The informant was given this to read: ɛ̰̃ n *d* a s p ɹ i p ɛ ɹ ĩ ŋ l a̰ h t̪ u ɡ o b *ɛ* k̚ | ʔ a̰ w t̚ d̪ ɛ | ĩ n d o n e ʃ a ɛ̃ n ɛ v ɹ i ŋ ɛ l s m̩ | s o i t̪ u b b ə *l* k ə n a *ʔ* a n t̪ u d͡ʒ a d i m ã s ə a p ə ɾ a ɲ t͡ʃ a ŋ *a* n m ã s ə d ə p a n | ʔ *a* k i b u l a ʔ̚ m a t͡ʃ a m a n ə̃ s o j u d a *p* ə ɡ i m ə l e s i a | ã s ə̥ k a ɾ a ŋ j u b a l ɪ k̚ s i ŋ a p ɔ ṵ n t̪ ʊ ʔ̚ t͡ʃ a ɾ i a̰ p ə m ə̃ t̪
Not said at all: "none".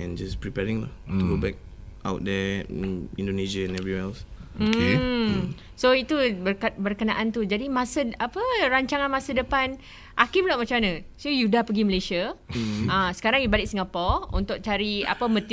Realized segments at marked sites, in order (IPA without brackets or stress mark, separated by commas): d͡ʒ, ɛ, r, ʔ, a, a, p